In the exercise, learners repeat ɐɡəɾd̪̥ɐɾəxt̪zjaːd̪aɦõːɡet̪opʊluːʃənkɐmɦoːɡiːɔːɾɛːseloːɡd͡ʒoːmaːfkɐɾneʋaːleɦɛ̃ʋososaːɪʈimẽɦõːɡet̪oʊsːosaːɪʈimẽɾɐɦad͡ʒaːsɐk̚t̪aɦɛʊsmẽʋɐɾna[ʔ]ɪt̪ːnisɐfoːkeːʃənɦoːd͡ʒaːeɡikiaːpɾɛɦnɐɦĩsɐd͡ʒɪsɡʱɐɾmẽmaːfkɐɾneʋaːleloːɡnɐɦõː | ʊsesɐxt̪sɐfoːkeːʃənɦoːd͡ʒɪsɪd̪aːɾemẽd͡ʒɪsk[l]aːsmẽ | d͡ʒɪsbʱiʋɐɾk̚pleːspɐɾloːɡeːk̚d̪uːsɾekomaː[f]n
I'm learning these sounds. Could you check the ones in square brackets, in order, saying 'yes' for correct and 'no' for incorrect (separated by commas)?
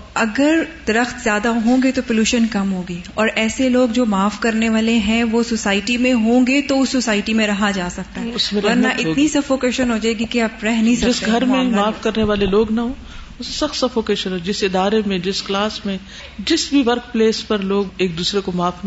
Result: yes, yes, yes